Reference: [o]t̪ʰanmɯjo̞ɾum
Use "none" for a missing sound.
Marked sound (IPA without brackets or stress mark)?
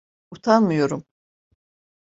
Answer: u